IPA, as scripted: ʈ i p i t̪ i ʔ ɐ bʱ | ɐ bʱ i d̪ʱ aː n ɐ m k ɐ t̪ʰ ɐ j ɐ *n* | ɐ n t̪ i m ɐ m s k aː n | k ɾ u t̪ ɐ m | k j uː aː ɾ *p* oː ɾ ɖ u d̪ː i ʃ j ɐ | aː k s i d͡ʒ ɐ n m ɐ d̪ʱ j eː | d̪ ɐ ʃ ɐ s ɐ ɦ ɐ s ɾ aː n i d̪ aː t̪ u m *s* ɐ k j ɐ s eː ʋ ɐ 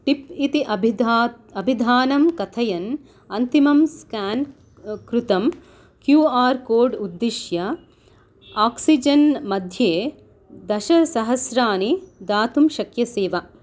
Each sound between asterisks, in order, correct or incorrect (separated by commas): correct, incorrect, incorrect